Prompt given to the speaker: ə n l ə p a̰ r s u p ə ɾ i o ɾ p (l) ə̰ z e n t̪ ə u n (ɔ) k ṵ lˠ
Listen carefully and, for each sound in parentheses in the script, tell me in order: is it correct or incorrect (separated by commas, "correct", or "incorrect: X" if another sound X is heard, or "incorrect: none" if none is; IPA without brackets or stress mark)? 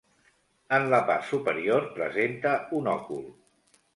incorrect: ɾ, correct